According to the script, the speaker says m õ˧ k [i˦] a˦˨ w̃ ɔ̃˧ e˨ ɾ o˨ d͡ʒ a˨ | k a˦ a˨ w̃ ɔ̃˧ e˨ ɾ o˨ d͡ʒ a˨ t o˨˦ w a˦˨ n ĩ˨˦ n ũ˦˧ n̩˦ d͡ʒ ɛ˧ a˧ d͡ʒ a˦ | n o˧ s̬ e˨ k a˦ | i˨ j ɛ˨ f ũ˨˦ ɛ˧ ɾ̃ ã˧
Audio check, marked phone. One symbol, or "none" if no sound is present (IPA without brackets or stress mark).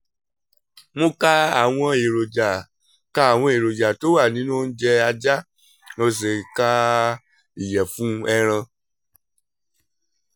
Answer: a˦